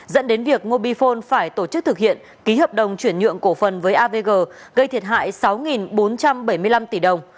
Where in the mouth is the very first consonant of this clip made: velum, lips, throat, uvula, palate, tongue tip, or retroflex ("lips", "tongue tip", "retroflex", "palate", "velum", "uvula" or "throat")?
tongue tip